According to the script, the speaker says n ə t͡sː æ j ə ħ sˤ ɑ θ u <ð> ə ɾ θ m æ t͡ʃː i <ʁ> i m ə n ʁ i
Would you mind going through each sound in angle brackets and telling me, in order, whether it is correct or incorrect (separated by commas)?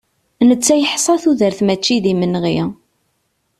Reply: correct, incorrect